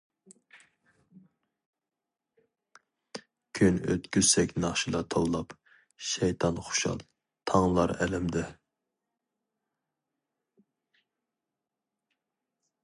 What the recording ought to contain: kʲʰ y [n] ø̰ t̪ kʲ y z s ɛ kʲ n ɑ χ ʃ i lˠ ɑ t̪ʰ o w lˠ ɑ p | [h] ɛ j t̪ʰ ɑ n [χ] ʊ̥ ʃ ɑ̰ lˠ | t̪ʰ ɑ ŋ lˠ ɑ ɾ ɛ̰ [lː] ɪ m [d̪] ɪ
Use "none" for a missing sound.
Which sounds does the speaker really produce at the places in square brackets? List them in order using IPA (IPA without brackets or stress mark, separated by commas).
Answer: n, ʃ, χ, l, d̪